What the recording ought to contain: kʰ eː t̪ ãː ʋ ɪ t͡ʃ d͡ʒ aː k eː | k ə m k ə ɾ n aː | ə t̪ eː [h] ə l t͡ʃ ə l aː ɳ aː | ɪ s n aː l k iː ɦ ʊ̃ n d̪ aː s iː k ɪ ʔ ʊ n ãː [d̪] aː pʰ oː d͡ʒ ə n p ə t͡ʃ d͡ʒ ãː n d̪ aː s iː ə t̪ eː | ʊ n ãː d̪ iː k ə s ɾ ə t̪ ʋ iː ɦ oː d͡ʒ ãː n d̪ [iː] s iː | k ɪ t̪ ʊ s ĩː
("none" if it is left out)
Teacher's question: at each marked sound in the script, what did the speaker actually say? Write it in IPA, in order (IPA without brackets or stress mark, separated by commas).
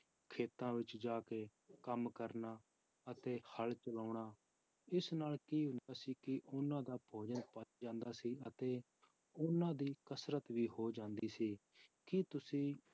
h, d̪, iː